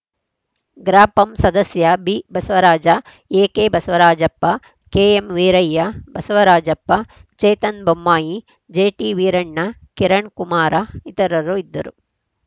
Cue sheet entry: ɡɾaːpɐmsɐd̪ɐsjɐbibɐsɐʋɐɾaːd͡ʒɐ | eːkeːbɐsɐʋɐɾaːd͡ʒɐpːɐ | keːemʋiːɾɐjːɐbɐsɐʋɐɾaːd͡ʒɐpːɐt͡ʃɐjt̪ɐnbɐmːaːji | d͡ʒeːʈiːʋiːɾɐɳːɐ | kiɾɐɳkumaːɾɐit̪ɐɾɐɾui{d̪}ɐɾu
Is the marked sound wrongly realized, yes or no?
yes